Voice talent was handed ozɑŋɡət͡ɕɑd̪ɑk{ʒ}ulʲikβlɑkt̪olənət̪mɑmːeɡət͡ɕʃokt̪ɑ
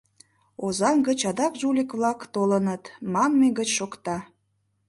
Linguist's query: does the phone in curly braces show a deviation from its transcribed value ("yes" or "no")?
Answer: no